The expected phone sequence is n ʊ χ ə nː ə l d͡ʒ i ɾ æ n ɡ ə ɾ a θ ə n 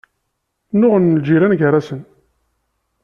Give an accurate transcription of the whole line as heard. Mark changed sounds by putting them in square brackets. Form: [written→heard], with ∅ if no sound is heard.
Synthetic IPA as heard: n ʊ [χ→ʁ] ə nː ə l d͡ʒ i ɾ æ n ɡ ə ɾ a [θ→s] ə n